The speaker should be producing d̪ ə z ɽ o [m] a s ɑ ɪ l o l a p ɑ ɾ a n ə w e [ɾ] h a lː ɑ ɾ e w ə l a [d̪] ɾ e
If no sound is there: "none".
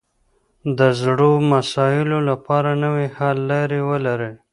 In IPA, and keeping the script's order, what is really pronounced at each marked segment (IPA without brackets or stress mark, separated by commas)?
m, none, none